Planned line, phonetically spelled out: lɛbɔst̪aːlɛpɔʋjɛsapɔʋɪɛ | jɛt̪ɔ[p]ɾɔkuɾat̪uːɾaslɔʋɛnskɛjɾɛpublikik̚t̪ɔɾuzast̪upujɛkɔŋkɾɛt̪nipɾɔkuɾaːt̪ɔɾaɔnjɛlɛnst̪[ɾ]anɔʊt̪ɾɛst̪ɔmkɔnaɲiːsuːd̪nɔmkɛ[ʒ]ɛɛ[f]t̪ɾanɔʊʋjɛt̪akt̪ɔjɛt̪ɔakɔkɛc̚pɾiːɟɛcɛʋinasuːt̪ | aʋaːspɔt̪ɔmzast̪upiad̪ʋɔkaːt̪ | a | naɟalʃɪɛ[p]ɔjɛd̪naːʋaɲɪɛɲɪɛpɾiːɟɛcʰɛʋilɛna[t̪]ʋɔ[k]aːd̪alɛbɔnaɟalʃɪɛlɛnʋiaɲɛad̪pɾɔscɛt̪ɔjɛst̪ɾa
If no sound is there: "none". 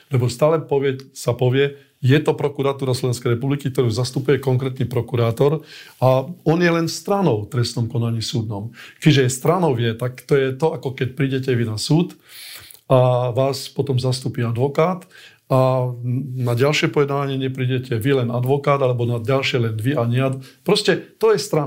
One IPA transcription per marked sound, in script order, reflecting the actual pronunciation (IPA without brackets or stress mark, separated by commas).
p, ɾ, ʒ, s, p, d̪, k